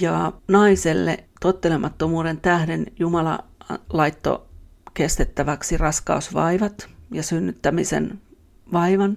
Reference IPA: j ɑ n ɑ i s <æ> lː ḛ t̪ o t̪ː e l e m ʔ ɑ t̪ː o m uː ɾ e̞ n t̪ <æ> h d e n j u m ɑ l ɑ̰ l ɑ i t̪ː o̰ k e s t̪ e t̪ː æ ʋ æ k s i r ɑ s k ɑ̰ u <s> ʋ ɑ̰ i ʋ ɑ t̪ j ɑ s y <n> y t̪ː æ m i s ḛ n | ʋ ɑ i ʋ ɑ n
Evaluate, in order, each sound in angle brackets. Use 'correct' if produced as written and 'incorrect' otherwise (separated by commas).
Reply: incorrect, correct, correct, incorrect